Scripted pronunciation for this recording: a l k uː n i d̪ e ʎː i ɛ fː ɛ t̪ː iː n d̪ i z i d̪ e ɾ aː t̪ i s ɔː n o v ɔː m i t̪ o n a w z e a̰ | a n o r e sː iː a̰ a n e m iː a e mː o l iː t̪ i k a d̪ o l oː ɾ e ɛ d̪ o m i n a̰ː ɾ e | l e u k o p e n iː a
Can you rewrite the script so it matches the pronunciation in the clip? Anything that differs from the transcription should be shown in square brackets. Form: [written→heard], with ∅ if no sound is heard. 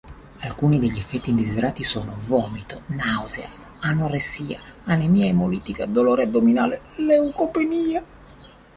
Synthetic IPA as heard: a l k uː n i d̪ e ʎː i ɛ fː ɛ t̪ː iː n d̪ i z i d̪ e ɾ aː t̪ i s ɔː n o v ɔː m i t̪ o n a w z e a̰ | a n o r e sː iː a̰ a n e m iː a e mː o l iː t̪ i k a d̪ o l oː ɾ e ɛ d̪ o m i n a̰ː [ɾ→l] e | l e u k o p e n iː a